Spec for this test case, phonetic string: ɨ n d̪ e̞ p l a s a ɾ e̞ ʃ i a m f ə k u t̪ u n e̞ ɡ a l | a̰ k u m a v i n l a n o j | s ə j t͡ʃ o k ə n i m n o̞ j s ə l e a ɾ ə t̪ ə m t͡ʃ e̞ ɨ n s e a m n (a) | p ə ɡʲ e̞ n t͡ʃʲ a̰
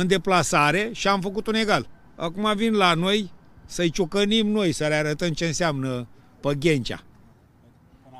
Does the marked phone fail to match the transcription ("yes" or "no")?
yes